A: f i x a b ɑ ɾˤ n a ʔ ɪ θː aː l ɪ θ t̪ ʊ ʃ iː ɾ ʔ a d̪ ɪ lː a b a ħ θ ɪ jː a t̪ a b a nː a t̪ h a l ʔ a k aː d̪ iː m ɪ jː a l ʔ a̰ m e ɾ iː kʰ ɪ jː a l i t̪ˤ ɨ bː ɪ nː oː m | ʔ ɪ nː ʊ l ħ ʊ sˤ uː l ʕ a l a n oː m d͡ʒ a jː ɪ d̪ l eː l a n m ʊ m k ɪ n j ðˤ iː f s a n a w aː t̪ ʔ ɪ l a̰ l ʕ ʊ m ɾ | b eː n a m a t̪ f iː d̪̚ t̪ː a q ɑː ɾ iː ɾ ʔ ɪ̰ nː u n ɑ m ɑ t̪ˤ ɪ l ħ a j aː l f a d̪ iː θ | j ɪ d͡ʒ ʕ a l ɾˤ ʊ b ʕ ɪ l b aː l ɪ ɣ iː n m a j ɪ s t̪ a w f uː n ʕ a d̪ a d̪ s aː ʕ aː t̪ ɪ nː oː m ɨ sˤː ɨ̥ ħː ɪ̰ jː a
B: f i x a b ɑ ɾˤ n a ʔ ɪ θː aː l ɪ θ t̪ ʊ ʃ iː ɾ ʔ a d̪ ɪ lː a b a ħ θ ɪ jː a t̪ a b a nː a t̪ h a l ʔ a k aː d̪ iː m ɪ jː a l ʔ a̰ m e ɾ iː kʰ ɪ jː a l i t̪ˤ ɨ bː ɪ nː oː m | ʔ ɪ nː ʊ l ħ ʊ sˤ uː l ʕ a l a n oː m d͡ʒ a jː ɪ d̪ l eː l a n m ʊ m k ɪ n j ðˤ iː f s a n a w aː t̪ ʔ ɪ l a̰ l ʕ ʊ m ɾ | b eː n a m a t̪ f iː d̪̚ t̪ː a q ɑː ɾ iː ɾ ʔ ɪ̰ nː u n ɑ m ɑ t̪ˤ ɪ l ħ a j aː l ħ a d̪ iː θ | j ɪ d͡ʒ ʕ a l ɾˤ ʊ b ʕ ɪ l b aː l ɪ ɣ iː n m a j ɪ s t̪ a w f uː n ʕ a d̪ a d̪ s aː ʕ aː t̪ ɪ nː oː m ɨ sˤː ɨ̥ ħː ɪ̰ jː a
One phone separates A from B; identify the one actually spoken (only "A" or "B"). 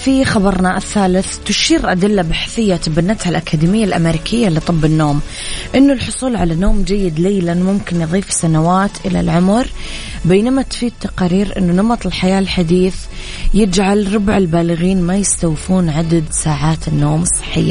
B